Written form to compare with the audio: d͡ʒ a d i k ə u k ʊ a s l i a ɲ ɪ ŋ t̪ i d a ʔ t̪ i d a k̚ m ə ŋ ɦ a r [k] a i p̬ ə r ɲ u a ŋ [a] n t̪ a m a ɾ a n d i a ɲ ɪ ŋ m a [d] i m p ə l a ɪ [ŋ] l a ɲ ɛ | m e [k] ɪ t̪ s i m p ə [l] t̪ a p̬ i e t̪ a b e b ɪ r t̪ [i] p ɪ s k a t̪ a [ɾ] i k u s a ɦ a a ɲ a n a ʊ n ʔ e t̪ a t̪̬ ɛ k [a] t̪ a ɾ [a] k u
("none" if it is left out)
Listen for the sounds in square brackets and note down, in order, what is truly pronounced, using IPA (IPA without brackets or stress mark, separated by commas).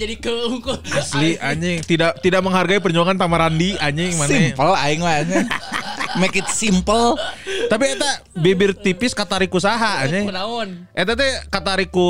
ɡ, a, n, ŋ, k, l, i, ɾ, a, i